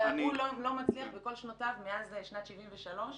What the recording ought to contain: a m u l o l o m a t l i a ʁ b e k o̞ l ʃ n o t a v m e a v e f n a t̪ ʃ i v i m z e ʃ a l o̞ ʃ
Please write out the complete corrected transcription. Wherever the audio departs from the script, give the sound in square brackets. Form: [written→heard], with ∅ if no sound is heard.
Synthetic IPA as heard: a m u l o l o m a [t→t͡s] l i a [ʁ→χ] b e k o̞ l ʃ n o t a v m e a [v→z] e [f→ʃ] n a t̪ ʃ i v i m [z→v] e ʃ a l o̞ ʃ